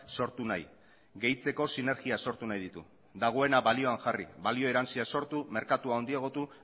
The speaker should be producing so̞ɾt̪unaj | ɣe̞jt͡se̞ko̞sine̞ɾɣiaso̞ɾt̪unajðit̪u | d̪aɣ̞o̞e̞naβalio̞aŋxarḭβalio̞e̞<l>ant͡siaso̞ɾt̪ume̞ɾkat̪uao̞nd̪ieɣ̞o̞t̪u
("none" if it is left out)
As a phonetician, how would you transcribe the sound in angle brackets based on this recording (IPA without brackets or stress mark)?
ɾ